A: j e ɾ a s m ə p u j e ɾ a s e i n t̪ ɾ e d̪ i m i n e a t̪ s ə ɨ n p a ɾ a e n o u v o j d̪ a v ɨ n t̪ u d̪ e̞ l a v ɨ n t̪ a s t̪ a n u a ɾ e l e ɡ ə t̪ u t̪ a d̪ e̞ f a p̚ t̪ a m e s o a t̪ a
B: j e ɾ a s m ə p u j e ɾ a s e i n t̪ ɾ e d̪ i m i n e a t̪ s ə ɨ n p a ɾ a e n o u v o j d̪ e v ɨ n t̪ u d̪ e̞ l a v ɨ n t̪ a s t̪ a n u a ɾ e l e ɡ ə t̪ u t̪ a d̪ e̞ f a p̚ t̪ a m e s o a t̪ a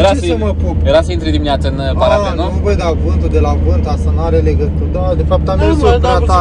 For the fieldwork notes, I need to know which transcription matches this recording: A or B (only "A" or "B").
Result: A